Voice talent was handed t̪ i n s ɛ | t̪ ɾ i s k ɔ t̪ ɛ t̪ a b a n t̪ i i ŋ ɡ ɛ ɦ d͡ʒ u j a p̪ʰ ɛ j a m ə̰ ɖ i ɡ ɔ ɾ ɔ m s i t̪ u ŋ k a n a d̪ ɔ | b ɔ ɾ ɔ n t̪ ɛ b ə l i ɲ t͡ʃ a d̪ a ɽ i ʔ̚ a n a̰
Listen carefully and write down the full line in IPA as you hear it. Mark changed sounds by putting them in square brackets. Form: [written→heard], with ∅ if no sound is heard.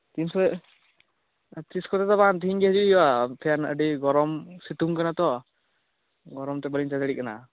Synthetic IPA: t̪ i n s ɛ | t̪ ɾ i s k ɔ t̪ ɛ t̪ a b a n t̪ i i ŋ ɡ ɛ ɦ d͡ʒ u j a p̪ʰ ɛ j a [m→n] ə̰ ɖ i ɡ ɔ ɾ ɔ m s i t̪ u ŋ k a n a [d̪→t̪] ɔ | [b→ɡ] ɔ ɾ ɔ [n→m] t̪ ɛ b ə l i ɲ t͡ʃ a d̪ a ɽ i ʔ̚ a n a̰